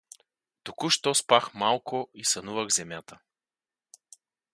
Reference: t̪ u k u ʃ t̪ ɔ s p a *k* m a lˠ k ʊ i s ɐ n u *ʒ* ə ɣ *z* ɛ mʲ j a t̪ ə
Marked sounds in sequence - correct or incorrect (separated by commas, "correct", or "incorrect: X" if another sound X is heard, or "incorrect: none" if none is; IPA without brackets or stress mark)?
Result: incorrect: x, incorrect: v, correct